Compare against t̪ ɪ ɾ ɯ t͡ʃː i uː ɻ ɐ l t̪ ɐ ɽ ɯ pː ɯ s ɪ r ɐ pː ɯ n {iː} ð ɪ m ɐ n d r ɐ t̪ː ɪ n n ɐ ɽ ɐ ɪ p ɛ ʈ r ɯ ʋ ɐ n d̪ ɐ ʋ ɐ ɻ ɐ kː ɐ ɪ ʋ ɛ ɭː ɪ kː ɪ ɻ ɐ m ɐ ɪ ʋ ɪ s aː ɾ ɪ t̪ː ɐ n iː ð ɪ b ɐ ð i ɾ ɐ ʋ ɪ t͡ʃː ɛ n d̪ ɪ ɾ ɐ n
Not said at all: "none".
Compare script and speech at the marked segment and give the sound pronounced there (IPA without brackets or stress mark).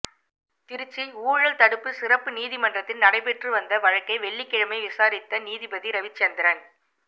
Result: iː